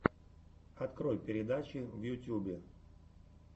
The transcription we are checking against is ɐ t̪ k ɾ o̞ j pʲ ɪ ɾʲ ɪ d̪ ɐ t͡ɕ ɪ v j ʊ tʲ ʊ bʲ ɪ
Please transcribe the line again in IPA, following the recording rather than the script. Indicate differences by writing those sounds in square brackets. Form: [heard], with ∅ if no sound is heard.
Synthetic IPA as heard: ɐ t̪ k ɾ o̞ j pʲ ɪ ɾʲ ɪ d̪ [a] t͡ɕ ɪ v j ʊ tʲ [u] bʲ ɪ